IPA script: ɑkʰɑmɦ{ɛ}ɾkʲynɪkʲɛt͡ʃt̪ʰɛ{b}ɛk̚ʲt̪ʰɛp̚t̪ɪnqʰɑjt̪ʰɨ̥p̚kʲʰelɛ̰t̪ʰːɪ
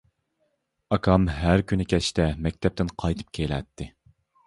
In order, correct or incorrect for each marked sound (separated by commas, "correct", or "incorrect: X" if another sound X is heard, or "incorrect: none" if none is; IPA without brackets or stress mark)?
incorrect: æ, incorrect: m